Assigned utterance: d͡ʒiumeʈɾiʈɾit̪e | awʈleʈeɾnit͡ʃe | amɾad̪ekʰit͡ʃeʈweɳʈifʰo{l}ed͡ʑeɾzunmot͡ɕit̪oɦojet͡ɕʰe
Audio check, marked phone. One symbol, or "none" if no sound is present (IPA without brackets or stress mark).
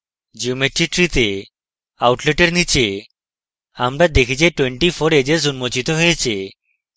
ɾ